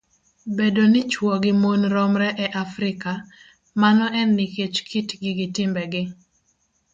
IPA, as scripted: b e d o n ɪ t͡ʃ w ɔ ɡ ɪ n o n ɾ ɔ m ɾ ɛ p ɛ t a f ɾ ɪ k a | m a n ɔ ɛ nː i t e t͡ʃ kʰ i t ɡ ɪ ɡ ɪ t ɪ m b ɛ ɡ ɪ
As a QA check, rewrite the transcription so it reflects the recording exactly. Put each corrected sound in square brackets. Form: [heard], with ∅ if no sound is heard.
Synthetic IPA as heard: b e d o n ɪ t͡ʃ w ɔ ɡ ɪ [m] o n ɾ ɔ m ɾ ɛ [ʔ] ɛ [ʔ] a f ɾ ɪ k a | m a n ɔ ɛ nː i [k] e t͡ʃ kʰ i t ɡ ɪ ɡ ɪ t ɪ m b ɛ ɡ ɪ